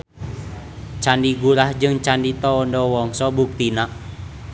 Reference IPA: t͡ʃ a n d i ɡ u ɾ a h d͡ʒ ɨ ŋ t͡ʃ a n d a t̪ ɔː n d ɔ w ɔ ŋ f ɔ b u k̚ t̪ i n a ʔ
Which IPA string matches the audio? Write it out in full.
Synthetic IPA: t͡ʃ a n d i ɡ u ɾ a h d͡ʒ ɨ ŋ t͡ʃ a n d i t̪ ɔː n d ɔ w ɔ ŋ s ɔ b u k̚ t̪ i n a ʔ